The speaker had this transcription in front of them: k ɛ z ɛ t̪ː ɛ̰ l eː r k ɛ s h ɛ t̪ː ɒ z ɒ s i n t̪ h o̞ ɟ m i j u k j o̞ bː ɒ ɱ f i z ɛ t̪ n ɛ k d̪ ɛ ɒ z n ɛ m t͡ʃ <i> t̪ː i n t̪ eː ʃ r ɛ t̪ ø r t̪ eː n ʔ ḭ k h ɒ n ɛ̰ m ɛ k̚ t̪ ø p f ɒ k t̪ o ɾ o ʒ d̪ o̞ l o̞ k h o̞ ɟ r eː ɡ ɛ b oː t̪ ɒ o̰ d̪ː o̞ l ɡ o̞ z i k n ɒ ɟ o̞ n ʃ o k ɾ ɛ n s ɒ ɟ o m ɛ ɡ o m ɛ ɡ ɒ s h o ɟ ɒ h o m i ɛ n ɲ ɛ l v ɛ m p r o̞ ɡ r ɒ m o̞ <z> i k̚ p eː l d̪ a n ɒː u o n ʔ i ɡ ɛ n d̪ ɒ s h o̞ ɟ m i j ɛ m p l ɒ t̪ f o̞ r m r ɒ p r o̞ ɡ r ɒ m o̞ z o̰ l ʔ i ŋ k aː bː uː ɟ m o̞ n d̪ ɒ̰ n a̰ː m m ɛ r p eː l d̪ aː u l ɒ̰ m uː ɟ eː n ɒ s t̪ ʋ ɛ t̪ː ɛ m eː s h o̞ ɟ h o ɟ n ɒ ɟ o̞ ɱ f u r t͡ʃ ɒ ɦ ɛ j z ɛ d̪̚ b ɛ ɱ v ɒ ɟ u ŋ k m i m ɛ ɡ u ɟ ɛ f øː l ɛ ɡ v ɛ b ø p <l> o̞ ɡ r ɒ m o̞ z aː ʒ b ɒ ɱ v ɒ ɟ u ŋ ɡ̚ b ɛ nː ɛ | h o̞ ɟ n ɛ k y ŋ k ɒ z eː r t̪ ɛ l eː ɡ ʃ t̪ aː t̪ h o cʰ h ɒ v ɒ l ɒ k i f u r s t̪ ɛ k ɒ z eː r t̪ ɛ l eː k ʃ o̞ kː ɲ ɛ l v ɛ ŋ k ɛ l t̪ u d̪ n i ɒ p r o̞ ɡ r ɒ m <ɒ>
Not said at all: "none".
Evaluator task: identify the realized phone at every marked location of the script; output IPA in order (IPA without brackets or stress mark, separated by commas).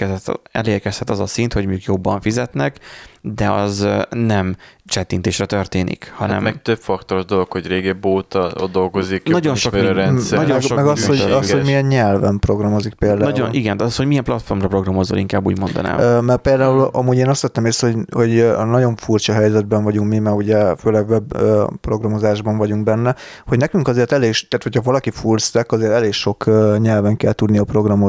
ɛ, z, r, o